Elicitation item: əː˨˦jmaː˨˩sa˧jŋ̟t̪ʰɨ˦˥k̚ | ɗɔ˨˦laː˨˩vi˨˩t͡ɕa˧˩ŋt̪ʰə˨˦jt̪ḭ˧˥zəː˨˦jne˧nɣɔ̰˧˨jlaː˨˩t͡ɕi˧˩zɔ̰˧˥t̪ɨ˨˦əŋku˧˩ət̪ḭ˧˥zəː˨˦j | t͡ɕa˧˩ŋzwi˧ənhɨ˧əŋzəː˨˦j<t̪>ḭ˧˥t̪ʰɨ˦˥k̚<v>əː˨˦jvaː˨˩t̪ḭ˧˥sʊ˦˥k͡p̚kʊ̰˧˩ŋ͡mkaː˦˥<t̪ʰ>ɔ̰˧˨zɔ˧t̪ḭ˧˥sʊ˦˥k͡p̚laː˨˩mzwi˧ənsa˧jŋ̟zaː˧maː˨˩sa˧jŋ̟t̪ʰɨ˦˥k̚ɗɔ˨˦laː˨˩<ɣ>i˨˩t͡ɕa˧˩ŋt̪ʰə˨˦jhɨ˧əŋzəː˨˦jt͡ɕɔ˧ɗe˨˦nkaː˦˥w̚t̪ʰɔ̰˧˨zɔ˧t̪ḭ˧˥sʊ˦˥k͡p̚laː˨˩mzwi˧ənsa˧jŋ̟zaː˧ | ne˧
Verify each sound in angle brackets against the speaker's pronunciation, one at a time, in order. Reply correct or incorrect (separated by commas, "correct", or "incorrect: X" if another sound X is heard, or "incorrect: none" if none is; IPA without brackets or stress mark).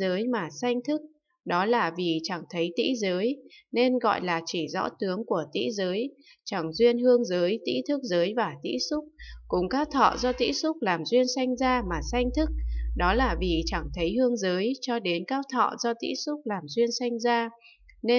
correct, incorrect: z, correct, incorrect: v